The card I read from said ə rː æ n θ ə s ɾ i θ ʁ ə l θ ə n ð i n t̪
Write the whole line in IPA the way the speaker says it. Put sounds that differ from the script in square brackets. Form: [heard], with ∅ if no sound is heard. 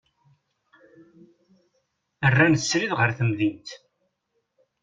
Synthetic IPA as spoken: ə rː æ n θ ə s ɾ i [ð] ʁ ə [ɾ] θ ə [m] ð i n t̪